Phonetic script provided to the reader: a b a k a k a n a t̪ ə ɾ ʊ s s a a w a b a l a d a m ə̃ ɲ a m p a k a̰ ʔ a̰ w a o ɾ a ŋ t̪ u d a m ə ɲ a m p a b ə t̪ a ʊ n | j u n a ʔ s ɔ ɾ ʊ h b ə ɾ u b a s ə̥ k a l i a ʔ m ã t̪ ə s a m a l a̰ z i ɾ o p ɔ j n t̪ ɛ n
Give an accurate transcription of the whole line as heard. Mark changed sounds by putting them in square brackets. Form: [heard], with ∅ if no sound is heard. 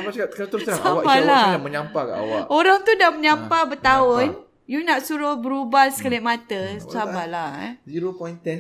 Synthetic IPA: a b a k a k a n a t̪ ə ɾ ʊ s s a a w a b a l a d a m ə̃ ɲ a m p a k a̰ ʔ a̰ w a o ɾ a ŋ t̪ u d a m ə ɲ a m p a b ə t̪ a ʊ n | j u n a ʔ s [u] ɾ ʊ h b ə ɾ u b a s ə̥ k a l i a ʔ m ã t̪ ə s a [b] a l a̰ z i ɾ o p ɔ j n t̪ ɛ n